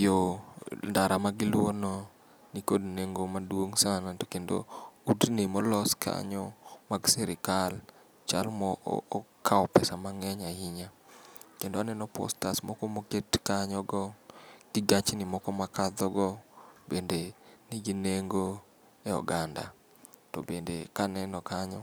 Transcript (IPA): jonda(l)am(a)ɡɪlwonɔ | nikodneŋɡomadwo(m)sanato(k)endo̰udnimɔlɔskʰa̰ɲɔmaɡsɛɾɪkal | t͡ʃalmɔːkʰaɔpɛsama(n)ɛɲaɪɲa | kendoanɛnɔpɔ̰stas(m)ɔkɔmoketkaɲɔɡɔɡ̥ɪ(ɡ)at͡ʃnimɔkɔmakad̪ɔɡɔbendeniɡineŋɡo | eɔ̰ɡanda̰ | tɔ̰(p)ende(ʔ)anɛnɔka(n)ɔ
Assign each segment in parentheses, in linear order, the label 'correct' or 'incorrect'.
incorrect: ɾ, correct, incorrect: ŋ, correct, incorrect: ŋ, correct, correct, incorrect: b, incorrect: k, incorrect: ɲ

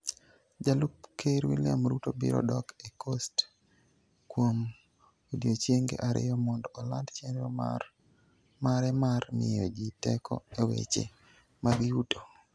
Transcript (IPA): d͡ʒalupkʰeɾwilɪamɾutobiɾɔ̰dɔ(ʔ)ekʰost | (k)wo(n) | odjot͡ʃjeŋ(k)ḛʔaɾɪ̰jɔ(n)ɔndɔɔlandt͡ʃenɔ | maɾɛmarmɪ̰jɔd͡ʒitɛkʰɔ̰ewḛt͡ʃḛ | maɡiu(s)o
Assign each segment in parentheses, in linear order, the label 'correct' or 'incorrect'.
incorrect: k, correct, incorrect: m, incorrect: ɡ, incorrect: m, incorrect: t

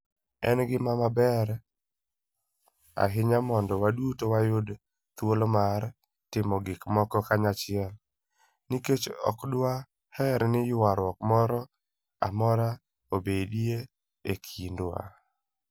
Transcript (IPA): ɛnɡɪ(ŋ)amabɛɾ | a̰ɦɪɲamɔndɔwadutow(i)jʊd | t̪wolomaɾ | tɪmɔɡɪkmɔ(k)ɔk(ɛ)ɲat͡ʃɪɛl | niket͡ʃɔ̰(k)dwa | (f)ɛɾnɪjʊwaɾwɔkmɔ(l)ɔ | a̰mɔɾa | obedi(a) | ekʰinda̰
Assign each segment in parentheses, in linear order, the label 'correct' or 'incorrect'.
incorrect: m, incorrect: a, correct, incorrect: a, correct, incorrect: h, incorrect: ɾ, incorrect: e

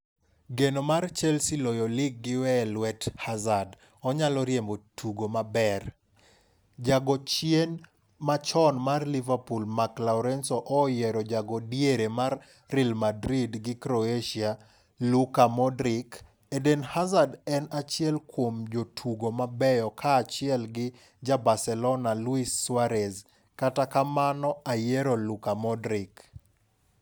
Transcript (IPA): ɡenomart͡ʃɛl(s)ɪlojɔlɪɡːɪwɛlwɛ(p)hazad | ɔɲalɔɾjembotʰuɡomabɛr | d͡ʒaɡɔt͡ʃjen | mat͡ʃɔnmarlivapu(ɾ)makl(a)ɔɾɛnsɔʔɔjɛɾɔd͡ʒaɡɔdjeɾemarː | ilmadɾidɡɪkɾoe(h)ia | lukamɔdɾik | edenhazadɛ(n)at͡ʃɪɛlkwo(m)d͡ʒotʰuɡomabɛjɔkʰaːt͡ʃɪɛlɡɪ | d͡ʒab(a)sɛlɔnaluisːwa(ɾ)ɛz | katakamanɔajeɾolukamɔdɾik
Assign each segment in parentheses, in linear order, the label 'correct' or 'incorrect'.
correct, incorrect: t, incorrect: l, correct, incorrect: ʃ, correct, correct, correct, correct

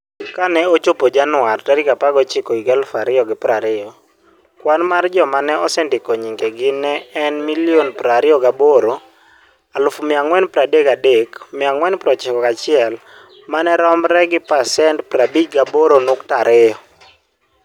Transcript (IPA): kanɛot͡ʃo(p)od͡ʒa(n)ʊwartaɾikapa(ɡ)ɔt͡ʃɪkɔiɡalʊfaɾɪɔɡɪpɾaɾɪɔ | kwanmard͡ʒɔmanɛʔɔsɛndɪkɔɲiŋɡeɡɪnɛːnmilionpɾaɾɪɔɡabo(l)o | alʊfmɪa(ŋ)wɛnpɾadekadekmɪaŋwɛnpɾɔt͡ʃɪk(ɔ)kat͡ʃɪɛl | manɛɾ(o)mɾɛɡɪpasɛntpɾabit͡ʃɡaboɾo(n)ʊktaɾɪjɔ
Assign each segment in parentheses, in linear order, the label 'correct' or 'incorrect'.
correct, correct, correct, incorrect: ɾ, correct, correct, incorrect: ɔ, correct

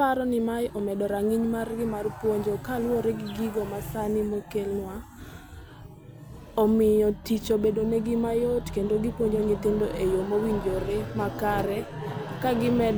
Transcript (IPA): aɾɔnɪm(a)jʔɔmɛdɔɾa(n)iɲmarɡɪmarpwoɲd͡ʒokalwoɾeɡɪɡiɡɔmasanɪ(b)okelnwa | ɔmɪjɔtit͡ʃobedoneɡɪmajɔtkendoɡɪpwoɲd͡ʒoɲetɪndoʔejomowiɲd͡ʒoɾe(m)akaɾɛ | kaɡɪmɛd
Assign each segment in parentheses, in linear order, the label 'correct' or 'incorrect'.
correct, incorrect: ŋ, incorrect: m, correct

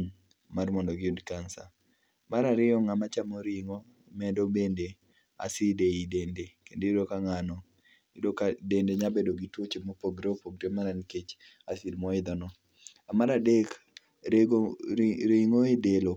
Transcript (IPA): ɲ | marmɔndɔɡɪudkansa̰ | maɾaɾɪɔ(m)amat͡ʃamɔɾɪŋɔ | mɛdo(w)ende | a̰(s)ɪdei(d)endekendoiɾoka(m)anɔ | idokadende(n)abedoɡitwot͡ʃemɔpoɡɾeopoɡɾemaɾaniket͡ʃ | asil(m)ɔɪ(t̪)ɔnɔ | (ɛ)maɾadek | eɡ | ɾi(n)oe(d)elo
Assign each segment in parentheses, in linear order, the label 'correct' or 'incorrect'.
incorrect: ŋ, incorrect: b, correct, correct, incorrect: ŋ, incorrect: ɲ, correct, incorrect: d̪, incorrect: a, incorrect: ŋ, correct

